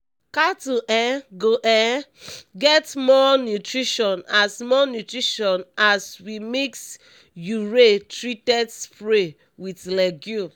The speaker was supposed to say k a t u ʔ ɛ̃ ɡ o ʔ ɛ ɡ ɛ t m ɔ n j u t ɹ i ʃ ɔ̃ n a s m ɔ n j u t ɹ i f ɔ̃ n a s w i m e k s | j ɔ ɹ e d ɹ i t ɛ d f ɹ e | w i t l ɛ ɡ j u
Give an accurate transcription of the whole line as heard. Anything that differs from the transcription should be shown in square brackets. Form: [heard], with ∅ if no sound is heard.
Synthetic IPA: k a t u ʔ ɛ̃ ɡ o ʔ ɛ ɡ ɛ t m ɔ n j u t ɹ i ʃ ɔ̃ n a s m ɔ n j u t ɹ i [ʃ] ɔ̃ n a s w i m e k s | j [u] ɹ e [t] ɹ i t ɛ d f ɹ e | w i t l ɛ ɡ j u